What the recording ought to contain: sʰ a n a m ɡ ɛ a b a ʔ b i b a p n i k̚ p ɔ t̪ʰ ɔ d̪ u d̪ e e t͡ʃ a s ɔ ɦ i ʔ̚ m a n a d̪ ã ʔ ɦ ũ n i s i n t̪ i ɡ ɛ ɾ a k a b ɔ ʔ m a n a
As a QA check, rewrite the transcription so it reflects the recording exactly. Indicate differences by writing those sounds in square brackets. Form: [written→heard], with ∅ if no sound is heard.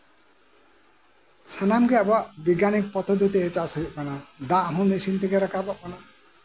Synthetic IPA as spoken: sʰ a n a m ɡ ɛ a b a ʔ b i [b→ɡ] a [p→∅] n i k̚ p ɔ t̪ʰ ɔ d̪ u [d̪→t̪] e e t͡ʃ a s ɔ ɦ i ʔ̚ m a n a d̪ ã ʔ ɦ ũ n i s i n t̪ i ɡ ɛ ɾ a k a b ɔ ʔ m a n a